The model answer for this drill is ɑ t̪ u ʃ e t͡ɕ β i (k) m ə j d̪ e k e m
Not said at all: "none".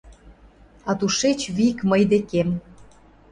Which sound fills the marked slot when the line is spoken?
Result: k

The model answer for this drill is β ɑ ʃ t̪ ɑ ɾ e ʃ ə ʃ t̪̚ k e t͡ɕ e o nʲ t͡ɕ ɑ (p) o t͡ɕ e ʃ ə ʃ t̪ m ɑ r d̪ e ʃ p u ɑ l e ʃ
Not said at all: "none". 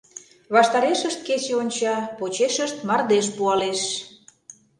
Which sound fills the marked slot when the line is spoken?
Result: p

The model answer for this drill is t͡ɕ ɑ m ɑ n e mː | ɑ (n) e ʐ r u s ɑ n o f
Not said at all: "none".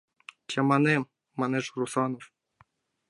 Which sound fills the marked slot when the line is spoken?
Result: n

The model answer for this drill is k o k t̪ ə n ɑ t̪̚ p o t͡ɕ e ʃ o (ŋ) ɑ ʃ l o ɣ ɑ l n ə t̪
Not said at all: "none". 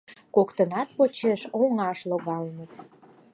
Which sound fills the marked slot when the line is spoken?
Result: ŋ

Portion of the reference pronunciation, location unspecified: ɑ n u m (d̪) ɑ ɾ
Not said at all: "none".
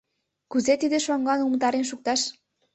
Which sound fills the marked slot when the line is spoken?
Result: t̪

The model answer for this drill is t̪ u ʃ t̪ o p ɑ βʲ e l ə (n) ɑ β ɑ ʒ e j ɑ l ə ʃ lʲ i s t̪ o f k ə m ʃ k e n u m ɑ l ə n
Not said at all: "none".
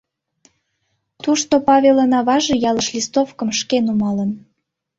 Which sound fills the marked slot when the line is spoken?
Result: n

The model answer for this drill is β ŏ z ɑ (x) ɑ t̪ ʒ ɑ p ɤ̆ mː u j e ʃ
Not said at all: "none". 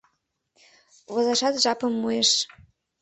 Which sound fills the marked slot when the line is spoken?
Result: ʃ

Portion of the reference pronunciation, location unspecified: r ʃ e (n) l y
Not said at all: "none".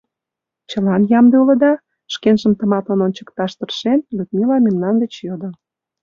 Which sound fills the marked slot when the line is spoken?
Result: n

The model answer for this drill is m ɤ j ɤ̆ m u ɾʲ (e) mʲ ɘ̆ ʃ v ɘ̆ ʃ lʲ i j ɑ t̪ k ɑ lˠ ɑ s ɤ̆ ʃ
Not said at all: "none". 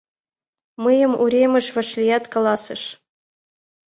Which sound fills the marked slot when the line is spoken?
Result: e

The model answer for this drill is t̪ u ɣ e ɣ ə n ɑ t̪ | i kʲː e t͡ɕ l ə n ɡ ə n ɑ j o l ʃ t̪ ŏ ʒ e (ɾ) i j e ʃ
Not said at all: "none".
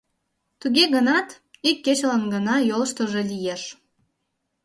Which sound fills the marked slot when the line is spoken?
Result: l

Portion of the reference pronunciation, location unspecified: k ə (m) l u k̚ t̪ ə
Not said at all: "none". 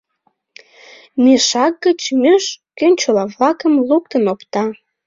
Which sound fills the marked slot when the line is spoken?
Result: m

